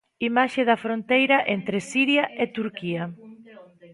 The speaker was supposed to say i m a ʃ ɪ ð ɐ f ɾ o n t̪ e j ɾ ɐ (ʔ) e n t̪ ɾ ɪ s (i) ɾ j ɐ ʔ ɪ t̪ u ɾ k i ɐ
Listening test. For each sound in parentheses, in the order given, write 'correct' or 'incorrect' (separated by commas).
correct, correct